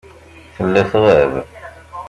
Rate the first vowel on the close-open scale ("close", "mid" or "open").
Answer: mid